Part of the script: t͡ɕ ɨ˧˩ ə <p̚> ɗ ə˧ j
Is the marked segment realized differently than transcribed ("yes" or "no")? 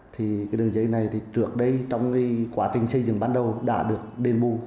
yes